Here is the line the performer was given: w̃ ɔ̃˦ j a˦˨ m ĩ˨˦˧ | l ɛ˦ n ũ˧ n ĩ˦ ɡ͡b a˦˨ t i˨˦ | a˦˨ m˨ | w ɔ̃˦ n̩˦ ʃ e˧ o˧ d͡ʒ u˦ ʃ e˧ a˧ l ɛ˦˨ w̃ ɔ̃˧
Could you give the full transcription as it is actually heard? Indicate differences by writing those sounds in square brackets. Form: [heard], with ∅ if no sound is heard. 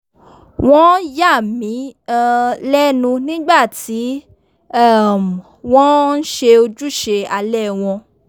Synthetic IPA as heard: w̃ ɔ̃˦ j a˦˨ m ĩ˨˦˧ | l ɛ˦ n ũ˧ n ĩ˦ ɡ͡b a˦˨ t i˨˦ | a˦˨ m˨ | w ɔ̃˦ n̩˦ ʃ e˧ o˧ d͡ʒ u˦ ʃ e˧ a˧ l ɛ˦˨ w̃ ɔ̃˧